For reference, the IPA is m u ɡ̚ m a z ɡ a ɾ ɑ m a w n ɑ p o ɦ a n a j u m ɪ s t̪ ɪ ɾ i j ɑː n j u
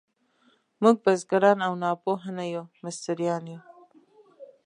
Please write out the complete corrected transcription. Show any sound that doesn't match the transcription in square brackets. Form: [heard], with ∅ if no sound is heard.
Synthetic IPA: m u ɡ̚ [b] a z ɡ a ɾ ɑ [n] a w n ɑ p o ɦ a n a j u m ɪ s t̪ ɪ ɾ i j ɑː n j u